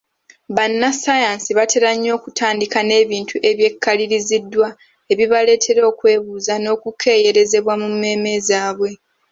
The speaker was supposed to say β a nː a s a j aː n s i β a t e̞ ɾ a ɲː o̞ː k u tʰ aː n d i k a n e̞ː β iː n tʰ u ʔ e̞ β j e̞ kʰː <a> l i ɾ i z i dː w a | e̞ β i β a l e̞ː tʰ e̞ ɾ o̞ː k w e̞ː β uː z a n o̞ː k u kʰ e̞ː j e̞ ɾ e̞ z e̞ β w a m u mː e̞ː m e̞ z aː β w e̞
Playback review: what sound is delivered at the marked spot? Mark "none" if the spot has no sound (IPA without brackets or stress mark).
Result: a